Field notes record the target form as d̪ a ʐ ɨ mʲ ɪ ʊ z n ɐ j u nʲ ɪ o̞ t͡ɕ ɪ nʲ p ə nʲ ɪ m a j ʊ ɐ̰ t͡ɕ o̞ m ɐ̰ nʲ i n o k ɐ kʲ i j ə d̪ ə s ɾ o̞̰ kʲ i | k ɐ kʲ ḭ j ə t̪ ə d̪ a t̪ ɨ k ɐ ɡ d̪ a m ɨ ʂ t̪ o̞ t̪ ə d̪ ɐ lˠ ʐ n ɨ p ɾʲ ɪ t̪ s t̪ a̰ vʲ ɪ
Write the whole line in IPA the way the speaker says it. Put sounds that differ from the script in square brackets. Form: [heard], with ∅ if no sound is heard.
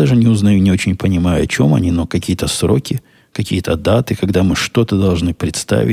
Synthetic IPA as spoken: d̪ a ʐ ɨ [nʲ] ɪ ʊ z n ɐ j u nʲ ɪ o̞ t͡ɕ ɪ nʲ p ə nʲ ɪ m a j ʊ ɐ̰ t͡ɕ o̞ m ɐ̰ nʲ i n o k ɐ kʲ i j ə [t̪] ə s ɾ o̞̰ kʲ [ɪ] | k ɐ kʲ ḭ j ə t̪ ə d̪ a t̪ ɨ k ɐ ɡ d̪ a m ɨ ʂ t̪ o̞ t̪ ə d̪ ɐ lˠ ʐ n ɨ p ɾʲ ɪ t̪ s t̪ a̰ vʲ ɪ